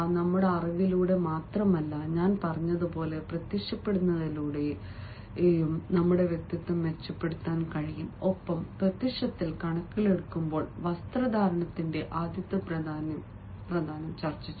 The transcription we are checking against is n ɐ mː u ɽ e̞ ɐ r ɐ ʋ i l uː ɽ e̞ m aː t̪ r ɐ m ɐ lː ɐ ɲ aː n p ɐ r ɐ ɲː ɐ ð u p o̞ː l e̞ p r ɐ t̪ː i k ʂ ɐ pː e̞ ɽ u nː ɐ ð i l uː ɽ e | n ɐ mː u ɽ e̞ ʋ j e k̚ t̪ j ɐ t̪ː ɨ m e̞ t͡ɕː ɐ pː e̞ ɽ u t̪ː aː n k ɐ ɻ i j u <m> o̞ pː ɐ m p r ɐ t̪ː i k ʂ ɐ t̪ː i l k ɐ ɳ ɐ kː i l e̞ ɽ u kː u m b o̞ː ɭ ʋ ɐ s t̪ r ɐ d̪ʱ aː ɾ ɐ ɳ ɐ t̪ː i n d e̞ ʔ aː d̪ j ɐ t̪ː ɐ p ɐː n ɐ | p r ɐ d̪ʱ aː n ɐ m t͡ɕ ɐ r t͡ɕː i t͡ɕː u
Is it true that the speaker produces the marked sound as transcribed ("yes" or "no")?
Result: yes